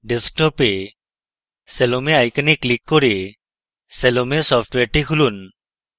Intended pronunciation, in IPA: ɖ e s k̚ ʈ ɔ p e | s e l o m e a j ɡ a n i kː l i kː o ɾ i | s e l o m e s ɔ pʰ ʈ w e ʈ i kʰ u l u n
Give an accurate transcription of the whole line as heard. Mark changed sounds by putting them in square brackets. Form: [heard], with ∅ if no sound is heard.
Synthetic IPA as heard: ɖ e s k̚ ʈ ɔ p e | s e l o m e a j [k] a n i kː l i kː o ɾ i | s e l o m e s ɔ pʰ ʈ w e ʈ i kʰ u l u n